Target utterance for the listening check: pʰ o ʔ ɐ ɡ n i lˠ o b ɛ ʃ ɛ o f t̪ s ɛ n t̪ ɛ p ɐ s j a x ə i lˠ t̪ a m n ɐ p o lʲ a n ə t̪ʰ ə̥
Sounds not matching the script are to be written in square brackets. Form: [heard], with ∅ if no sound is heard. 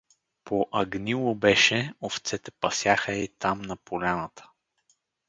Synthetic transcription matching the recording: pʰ o ʔ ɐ ɡ n i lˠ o b ɛ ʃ ɛ o f t̪ s ɛ [∅] t̪ ɛ p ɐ s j a x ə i [∅] t̪ a m n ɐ p o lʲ a n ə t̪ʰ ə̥